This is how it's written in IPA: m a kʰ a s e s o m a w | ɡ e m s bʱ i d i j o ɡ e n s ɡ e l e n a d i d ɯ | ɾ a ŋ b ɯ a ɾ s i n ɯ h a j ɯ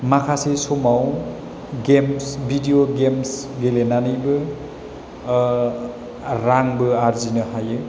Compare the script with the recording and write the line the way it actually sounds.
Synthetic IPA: m a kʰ a s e s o m a w | ɡ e m s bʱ i d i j o ɡ e m s ɡ e l e n a n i b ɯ | ɾ a ŋ b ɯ a ɾ z i n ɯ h a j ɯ